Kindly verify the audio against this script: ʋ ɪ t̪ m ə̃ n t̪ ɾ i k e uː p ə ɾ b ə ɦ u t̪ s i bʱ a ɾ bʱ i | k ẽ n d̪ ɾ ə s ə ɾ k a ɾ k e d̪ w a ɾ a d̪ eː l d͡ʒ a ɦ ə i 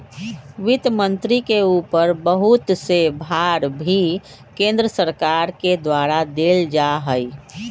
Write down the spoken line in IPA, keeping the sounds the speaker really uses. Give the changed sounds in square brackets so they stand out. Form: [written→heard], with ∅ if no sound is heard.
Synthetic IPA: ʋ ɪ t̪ m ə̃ n t̪ ɾ i k e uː p ə ɾ b ə ɦ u t̪ s [i→e] bʱ a ɾ bʱ i | k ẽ n d̪ ɾ ə s ə ɾ k a ɾ k e d̪ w a ɾ a d̪ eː l d͡ʒ a ɦ ə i